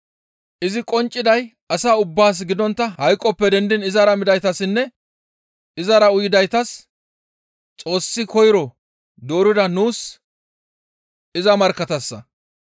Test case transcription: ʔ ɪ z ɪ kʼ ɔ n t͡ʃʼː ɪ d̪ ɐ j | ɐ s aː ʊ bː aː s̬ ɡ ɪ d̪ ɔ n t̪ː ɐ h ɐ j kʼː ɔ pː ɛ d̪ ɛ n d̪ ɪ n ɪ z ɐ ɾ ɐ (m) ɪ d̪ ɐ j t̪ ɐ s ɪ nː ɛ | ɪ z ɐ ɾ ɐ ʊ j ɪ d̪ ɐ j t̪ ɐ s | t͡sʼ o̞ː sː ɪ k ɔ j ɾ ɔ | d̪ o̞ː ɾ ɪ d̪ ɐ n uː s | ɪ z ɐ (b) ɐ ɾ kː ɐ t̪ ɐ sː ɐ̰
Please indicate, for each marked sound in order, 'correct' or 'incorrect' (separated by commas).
correct, incorrect